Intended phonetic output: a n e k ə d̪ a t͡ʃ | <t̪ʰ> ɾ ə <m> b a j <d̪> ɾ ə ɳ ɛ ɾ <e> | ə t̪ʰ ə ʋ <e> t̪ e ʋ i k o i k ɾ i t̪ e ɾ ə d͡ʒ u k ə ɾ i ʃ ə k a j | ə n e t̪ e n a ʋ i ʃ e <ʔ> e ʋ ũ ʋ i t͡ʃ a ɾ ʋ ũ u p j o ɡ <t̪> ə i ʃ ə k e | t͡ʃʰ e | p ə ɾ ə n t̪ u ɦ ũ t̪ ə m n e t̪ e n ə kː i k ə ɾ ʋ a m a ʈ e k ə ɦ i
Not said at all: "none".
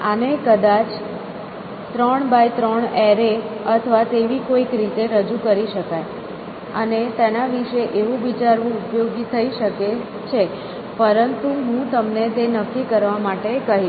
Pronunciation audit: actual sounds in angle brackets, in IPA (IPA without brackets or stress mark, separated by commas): t̪, ɳ, t̪, e, a, ʔ, t̪ʰ